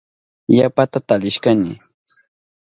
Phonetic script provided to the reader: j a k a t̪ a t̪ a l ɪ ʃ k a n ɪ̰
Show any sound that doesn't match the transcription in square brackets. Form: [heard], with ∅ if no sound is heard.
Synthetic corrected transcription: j a [p] a t̪ a t̪ a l ɪ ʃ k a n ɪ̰